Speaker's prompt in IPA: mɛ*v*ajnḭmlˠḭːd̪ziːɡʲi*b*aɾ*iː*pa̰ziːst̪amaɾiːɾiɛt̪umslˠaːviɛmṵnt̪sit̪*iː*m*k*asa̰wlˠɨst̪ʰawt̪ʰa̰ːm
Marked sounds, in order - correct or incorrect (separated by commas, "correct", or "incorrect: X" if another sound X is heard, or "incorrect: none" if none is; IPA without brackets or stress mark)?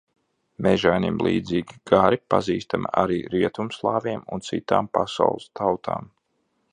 incorrect: ʒ, incorrect: ɡ, incorrect: i, incorrect: aː, incorrect: p